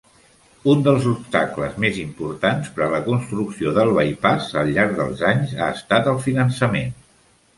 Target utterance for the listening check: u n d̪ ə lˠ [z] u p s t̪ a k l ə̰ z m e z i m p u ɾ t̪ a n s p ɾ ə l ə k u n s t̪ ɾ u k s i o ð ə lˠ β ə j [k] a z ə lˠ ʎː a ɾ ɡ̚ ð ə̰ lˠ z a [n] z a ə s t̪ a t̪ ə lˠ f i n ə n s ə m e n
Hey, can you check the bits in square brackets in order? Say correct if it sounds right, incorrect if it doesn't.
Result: correct, incorrect, incorrect

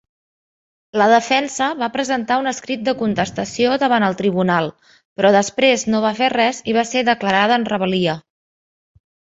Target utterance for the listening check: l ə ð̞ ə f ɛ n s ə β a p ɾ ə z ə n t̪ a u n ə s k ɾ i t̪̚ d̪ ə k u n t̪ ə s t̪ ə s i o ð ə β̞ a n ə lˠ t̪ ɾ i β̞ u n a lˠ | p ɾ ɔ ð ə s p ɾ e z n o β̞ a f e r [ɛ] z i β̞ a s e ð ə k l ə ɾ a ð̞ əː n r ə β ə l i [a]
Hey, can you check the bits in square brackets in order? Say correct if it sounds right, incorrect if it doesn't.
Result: correct, incorrect

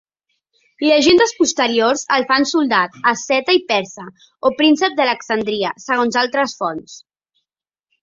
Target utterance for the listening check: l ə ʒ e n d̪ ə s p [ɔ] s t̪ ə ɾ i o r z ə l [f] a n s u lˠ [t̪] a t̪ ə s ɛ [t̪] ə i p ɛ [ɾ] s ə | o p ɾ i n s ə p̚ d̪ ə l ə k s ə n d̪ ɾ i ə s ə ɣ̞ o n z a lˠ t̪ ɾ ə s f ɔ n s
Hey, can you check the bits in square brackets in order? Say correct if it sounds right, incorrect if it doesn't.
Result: incorrect, correct, incorrect, correct, correct

